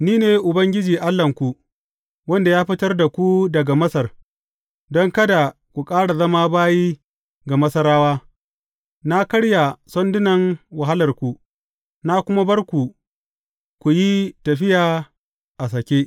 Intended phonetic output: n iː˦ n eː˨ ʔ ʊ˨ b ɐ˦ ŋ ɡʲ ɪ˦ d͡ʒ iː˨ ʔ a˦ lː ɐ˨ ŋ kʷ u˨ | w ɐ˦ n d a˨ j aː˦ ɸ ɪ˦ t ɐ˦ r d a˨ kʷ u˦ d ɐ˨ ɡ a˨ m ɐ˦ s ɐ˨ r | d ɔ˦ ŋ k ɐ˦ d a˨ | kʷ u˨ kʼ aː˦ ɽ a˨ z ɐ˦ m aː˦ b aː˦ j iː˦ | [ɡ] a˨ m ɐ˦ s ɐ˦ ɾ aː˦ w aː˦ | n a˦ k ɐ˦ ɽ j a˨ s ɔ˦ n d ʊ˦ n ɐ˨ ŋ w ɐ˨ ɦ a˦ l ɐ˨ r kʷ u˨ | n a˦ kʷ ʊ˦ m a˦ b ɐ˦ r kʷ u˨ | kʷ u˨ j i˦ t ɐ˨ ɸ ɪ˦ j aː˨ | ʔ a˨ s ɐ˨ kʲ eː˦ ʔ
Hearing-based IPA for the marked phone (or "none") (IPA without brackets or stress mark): ɡ